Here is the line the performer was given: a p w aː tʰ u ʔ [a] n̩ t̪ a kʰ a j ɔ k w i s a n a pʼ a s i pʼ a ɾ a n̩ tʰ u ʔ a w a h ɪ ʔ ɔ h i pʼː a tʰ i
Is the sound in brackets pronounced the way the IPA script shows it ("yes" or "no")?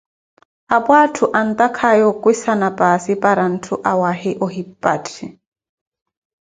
yes